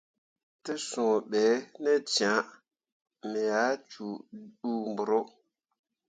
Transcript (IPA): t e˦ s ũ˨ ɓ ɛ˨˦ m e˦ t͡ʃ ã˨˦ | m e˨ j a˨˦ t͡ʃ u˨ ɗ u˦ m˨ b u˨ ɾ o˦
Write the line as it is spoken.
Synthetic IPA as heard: t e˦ s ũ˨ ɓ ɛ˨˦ n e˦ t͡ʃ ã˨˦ | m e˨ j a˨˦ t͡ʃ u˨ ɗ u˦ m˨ b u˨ ɾ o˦